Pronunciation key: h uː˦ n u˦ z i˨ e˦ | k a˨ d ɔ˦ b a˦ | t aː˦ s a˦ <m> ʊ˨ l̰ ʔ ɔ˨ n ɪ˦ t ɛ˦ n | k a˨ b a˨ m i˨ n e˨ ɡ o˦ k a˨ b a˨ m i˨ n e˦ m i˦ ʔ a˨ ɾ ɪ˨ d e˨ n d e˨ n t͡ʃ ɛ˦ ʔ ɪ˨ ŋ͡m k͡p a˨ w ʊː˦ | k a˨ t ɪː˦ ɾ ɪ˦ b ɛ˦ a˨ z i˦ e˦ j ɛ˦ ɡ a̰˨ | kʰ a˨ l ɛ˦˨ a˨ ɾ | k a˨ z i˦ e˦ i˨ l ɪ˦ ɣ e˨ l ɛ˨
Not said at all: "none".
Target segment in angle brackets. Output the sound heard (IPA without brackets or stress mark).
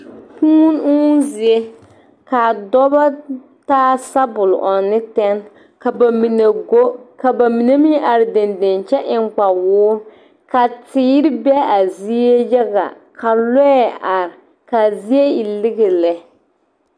b